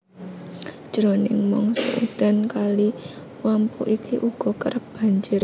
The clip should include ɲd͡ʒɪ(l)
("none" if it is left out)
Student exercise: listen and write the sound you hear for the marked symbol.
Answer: ɾ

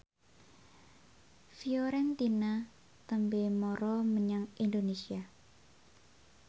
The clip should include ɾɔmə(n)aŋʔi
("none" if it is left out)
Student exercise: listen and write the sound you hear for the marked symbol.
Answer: ɲ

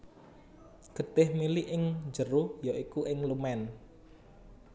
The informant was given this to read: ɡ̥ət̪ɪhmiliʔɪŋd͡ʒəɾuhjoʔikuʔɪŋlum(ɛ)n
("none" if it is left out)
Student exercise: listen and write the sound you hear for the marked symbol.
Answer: ɛ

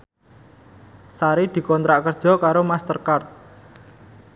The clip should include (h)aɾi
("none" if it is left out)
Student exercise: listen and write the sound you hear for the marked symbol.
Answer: s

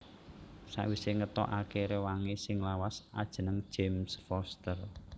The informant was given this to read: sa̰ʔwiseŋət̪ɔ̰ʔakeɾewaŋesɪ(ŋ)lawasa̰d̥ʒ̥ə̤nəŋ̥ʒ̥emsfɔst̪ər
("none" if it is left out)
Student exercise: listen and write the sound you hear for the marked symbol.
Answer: ŋ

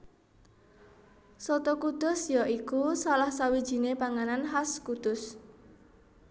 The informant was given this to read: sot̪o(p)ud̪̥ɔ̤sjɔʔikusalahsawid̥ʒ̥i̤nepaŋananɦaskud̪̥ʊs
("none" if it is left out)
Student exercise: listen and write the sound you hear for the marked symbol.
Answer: k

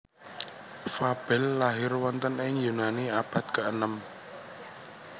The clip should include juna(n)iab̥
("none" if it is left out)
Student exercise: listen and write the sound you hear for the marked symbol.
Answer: n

